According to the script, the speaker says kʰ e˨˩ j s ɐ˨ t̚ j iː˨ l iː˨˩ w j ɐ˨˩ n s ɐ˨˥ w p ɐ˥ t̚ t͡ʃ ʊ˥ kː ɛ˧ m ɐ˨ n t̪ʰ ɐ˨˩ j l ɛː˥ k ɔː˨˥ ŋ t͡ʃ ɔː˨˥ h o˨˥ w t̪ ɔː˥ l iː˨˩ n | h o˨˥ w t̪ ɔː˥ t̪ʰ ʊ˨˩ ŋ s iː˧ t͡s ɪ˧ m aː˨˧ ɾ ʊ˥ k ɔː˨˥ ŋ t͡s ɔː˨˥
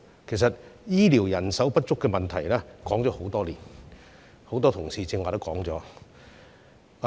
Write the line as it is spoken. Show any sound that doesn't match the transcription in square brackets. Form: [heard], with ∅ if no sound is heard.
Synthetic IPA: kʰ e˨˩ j s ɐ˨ t̚ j [iː˥] l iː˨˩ w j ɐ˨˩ n s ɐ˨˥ w p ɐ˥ t̚ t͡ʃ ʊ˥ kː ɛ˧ m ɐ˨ n t̪ʰ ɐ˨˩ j l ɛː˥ k ɔː˨˥ ŋ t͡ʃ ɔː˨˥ h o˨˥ w t̪ ɔː˥ l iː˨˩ n | h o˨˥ w t̪ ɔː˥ t̪ʰ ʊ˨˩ ŋ s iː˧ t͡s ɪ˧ [ŋ] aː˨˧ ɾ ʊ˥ k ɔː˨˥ ŋ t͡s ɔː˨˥